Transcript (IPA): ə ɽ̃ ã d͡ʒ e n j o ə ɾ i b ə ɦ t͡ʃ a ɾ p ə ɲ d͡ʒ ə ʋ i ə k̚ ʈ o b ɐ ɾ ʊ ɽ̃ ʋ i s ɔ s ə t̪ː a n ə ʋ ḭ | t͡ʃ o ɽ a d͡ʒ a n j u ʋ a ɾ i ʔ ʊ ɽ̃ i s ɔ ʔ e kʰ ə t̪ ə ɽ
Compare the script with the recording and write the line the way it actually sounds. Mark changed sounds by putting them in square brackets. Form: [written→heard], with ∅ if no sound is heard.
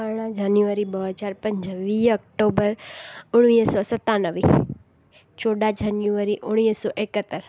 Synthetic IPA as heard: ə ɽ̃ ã d͡ʒ [e→a] n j [o→u] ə ɾ i b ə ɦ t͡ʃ a ɾ p ə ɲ d͡ʒ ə ʋ i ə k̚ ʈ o b [ɐ→ə] ɾ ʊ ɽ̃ ʋ i s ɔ s ə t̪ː a n ə ʋ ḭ | t͡ʃ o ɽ a d͡ʒ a n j u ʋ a ɾ i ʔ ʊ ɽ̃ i s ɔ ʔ e [kʰ→k] ə t̪ ə [ɽ→ɾ]

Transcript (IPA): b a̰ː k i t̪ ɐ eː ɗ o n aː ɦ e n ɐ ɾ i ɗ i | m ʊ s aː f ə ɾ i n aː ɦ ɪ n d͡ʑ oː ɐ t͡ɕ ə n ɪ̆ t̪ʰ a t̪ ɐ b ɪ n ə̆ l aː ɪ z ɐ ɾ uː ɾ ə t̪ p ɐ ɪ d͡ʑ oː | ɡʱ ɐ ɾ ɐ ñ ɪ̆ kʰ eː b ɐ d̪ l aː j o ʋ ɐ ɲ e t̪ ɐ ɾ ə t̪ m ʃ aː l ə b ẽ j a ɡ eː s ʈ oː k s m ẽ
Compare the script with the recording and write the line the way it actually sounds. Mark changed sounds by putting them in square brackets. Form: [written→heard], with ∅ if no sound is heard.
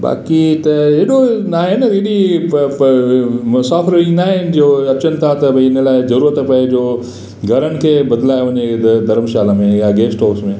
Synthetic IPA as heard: b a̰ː k i t̪ ɐ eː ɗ o n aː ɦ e n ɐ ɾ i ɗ i | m ʊ s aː f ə ɾ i n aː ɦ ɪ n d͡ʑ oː ɐ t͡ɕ ə n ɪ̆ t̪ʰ a t̪ ɐ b ɪ n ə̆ l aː ɪ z ɐ ɾ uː ɾ ə t̪ p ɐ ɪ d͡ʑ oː | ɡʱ ɐ ɾ [ɐ→ə] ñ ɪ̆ kʰ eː b ɐ d̪ l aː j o ʋ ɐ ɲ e [t̪→d̪] ɐ ɾ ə [t̪→∅] m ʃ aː l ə [b→m] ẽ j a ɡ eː s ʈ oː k s m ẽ

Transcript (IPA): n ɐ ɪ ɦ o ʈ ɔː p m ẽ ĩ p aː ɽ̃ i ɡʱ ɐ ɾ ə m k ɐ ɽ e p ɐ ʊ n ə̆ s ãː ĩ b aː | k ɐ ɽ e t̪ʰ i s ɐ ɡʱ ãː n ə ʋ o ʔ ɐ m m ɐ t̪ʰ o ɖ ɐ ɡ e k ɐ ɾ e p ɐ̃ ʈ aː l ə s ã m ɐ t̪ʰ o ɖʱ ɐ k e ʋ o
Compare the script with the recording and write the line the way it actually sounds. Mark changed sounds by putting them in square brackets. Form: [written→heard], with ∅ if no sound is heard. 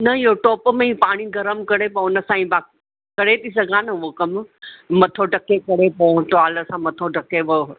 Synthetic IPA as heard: n ɐ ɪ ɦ o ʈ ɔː p m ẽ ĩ p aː ɽ̃ i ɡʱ ɐ ɾ ə m k ɐ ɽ e p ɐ ʊ n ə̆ s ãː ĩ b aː | k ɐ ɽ e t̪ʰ i s ɐ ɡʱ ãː n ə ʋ o [ʔ→k] ɐ m m ɐ t̪ʰ o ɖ ɐ [ɡ→k] e k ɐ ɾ e p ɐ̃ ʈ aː l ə s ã m ɐ t̪ʰ o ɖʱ ɐ k e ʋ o

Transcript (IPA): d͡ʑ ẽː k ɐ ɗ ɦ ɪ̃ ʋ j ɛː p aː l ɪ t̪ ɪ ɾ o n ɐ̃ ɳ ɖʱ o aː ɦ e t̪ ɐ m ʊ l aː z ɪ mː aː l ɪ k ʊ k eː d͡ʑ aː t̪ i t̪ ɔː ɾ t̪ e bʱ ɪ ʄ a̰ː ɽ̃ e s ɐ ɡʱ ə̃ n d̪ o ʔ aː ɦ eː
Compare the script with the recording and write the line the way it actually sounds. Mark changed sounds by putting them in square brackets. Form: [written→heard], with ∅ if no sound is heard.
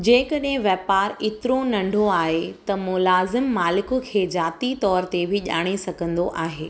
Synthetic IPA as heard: d͡ʑ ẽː k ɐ ɗ ɦ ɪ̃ ʋ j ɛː p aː [l→ɾ] ɪ t̪ ɪ ɾ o n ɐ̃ ɳ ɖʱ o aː ɦ e t̪ ɐ m ʊ l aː z ɪ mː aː l ɪ k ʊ [k→kʰ] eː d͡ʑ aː t̪ i t̪ ɔː ɾ t̪ e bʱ ɪ ʄ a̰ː ɽ̃ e s ɐ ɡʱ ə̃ n d̪ o ʔ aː ɦ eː

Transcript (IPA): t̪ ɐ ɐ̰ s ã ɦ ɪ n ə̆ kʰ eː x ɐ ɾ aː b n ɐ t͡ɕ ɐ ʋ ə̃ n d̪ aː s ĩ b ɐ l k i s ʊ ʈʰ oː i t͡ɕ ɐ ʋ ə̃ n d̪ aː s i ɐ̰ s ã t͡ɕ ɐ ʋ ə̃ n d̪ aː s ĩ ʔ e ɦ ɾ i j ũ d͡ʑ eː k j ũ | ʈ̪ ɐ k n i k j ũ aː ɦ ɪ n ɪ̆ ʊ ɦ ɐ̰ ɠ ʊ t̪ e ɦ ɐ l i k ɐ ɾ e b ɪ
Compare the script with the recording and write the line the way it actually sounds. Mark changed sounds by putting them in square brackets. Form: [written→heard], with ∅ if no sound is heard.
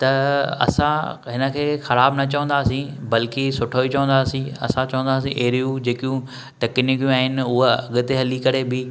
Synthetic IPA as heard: t̪ ɐ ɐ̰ s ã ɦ ɪ n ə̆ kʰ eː x ɐ ɾ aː b n ɐ t͡ɕ ɐ ʋ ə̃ n d̪ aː s ĩ b ɐ l k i s ʊ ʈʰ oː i t͡ɕ ɐ ʋ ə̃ n d̪ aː s [i→ĩ] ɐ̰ s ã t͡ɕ ɐ ʋ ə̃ n d̪ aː s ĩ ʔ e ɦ ɾ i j ũ d͡ʑ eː k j ũ | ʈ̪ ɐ k n i k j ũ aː ɦ ɪ n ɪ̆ ʊ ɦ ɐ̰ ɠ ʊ t̪ e ɦ ɐ l i k ɐ ɾ e b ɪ

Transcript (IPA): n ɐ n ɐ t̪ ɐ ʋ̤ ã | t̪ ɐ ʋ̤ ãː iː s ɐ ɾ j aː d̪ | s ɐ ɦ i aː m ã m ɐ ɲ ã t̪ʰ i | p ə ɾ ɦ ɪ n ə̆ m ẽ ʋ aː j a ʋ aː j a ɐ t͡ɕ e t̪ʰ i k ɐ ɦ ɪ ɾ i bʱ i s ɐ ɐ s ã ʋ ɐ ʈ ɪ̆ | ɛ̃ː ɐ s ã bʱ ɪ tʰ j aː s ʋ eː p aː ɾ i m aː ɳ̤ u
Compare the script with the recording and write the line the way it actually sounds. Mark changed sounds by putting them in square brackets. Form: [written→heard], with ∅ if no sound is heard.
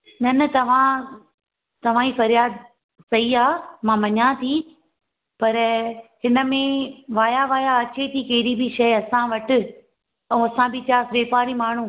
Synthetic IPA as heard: n ɐ n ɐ t̪ ɐ ʋ̤ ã | t̪ ɐ ʋ̤ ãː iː [s→f] ɐ ɾ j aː d̪ | s ɐ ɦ i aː m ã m ɐ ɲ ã t̪ʰ i | p [ə→ɐ] ɾ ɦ ɪ n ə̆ m ẽ ʋ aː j a ʋ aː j a ɐ t͡ɕ e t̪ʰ i k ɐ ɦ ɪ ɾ i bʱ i [s→ʃ] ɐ ɐ s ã ʋ ɐ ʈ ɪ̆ | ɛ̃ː ɐ s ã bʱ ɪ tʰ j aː s ʋ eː p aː ɾ i m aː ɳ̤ u

